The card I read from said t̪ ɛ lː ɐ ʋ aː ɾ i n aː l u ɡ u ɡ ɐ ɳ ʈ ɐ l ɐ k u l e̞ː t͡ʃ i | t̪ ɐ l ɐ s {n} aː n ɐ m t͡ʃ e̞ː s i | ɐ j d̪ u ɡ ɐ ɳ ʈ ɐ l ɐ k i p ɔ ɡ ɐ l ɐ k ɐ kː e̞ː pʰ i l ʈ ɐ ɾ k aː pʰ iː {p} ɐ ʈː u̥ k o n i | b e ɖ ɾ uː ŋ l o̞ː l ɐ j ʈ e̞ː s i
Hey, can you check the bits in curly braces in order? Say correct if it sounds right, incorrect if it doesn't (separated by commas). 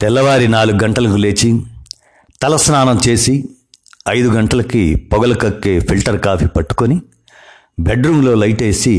correct, correct